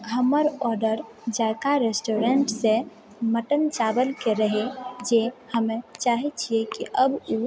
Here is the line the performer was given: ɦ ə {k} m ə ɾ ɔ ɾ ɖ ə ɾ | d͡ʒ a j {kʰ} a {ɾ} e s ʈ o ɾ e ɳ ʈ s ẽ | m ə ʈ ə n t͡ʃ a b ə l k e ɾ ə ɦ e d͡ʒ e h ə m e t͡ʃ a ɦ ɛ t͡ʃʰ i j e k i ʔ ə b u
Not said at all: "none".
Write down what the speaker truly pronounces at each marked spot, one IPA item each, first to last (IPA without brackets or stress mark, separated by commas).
none, k, ɾ